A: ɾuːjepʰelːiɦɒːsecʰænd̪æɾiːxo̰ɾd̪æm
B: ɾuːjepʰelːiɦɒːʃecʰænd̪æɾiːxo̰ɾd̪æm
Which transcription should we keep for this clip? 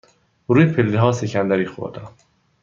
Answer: A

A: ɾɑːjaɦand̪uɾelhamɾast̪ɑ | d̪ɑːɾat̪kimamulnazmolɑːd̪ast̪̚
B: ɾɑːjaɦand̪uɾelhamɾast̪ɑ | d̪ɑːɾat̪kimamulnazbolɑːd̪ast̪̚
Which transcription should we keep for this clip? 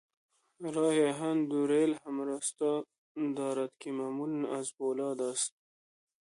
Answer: B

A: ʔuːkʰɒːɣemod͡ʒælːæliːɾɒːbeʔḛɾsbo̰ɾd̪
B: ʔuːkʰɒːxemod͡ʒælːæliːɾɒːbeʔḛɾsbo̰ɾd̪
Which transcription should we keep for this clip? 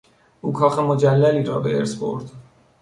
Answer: B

